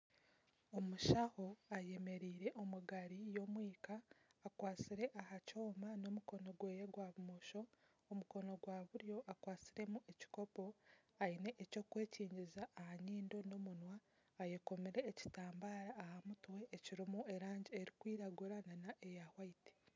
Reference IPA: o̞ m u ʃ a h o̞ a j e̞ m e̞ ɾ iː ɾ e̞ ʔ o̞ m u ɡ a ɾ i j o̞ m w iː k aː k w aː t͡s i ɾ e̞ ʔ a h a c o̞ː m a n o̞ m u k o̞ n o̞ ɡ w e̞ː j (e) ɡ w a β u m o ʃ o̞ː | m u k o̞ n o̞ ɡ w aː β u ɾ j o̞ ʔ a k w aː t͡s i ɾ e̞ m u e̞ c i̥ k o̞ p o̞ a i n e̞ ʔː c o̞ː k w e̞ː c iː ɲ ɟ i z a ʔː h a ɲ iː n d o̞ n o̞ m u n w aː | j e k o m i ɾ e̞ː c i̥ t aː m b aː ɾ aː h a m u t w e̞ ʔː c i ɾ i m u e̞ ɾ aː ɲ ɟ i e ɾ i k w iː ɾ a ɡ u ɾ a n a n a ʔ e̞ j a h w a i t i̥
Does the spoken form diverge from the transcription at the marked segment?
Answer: no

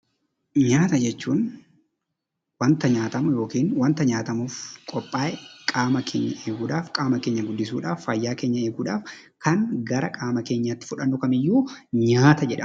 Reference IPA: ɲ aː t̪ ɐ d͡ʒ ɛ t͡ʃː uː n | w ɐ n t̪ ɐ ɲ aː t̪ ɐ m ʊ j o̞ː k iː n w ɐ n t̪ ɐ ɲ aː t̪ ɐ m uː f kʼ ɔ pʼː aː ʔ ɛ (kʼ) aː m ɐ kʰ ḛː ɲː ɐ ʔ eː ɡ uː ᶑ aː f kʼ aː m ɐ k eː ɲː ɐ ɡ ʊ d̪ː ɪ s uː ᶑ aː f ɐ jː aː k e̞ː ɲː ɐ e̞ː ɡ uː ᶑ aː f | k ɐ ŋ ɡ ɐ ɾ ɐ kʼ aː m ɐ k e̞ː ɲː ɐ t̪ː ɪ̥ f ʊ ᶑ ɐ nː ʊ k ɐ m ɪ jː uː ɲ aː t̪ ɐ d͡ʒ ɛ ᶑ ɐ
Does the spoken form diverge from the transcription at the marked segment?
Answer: no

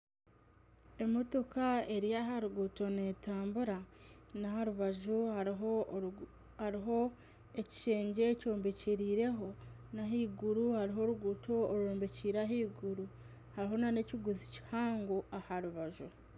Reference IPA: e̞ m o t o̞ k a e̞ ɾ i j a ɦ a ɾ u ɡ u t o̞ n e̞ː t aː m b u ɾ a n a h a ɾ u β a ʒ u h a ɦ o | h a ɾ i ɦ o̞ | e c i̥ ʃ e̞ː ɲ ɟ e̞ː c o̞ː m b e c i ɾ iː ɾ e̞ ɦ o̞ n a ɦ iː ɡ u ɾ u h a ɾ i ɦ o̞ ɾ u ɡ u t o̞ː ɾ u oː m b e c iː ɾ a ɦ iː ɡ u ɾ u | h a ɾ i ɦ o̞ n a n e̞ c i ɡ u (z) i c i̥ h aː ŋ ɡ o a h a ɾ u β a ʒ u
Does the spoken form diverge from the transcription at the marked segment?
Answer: no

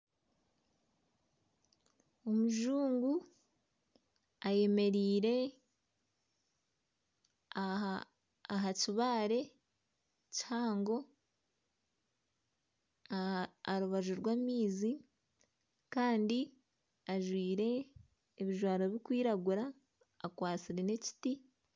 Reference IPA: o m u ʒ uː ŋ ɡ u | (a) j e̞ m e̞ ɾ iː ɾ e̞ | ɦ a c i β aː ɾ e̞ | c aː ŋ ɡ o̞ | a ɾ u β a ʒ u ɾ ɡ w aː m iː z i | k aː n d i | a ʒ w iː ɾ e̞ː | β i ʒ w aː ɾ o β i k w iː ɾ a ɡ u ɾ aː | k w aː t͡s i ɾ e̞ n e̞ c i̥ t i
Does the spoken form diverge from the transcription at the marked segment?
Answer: no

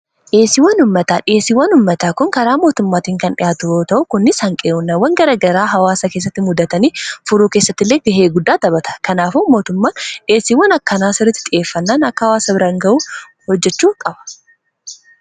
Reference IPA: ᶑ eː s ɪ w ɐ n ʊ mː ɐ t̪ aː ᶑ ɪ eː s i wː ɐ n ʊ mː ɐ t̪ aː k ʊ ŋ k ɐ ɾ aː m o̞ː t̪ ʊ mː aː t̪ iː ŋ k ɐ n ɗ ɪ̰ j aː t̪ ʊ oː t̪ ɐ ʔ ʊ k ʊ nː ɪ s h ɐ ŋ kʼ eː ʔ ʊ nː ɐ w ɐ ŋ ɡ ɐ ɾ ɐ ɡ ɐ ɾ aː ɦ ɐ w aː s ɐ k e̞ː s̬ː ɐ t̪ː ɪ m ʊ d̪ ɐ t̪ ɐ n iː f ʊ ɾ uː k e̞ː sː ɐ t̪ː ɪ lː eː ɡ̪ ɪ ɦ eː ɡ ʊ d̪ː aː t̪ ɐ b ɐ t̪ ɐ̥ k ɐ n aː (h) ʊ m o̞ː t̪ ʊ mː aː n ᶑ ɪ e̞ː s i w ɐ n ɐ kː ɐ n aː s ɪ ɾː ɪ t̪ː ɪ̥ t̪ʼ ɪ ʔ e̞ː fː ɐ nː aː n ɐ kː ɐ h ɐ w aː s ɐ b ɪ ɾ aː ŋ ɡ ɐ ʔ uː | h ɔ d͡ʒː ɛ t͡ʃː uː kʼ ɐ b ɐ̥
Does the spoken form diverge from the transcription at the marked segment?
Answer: yes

